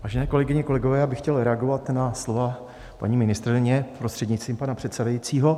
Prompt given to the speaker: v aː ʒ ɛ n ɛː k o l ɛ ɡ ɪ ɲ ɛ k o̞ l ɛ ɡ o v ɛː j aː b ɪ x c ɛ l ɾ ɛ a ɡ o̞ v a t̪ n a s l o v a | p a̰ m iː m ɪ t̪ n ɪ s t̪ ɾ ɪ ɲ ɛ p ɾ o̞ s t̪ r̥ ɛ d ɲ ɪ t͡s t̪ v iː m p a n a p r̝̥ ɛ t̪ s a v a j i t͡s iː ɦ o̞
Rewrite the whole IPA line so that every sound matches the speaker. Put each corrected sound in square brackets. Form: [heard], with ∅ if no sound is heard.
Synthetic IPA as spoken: v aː ʒ ɛ n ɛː k o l ɛ ɡ ɪ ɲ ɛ k o̞ l ɛ ɡ o v ɛː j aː b ɪ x c ɛ l ɾ ɛ a ɡ o̞ v a t̪ n a s l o v a | p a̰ [ɲ] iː m ɪ [∅] n ɪ s t̪ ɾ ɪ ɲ ɛ p ɾ o̞ s t̪ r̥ ɛ d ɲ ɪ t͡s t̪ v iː m p a n a p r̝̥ ɛ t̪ s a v a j i t͡s iː ɦ o̞